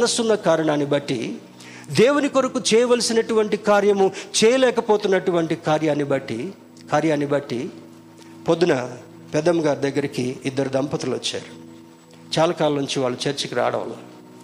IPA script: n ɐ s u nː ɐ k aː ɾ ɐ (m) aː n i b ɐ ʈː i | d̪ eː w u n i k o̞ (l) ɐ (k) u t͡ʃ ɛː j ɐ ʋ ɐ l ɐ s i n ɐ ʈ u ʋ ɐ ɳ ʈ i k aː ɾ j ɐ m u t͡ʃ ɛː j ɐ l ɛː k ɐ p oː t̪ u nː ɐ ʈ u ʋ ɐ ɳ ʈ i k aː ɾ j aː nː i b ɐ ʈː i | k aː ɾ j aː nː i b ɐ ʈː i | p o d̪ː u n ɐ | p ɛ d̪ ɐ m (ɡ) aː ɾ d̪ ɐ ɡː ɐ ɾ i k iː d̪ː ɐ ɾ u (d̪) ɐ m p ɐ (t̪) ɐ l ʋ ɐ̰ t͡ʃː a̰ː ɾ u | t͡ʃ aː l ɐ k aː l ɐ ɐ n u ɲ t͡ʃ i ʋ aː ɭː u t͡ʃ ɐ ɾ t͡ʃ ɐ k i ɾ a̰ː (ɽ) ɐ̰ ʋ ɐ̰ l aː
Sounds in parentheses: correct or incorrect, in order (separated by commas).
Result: incorrect, incorrect, correct, correct, correct, correct, correct